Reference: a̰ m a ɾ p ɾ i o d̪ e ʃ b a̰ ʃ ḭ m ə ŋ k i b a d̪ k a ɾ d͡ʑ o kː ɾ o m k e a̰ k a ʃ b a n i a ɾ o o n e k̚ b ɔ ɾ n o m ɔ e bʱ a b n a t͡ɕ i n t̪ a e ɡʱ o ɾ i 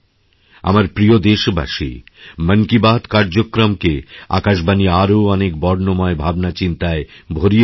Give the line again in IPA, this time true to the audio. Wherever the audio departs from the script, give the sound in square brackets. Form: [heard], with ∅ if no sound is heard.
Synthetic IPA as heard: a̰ m a ɾ p ɾ i o d̪ e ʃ b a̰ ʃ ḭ m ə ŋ k i b a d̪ k a ɾ d͡ʑ o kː ɾ o m k e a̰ k a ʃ b a n i a ɾ o [ɔ] n e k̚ b ɔ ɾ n o m ɔ e bʱ a b n a t͡ɕ i n t̪ a e [bʱ] o ɾ i